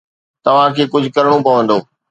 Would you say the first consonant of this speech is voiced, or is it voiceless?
voiceless